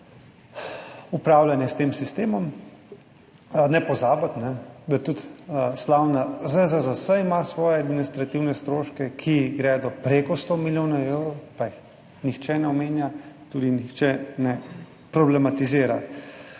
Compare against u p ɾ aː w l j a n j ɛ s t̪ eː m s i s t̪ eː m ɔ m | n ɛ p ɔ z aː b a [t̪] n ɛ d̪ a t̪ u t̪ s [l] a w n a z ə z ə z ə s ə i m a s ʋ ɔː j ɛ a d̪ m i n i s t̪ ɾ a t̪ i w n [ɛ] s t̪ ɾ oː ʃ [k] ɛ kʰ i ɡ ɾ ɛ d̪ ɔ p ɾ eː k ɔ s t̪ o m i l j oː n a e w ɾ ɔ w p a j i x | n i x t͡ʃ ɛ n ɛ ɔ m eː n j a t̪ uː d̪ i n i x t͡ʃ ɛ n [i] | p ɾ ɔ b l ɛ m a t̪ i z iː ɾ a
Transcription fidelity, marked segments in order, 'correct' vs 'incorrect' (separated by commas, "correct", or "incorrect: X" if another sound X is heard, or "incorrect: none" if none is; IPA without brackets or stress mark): correct, correct, correct, correct, incorrect: ɛ